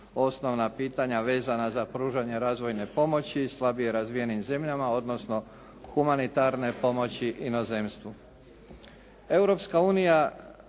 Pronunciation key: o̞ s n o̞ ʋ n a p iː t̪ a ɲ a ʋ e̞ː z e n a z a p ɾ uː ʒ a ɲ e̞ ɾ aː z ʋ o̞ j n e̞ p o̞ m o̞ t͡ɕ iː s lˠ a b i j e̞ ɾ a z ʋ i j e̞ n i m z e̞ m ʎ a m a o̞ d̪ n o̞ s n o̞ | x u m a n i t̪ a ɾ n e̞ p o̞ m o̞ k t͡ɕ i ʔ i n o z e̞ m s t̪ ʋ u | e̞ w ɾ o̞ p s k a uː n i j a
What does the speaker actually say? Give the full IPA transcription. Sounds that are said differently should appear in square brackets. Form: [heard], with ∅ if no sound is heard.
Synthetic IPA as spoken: o̞ s n o̞ ʋ n a p iː t̪ a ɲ a ʋ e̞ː z [a] n a z a p ɾ uː ʒ a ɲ e̞ ɾ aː z ʋ o̞ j n e̞ p o̞ m o̞ t͡ɕ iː s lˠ a b i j e̞ ɾ a z ʋ i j e̞ n i m z e̞ m ʎ a m a o̞ d̪ n o̞ s n o̞ | x u m a n i t̪ a ɾ n e̞ p o̞ m o̞ [∅] t͡ɕ i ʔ i n o z e̞ m s t̪ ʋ u | e̞ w ɾ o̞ p s k a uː n i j a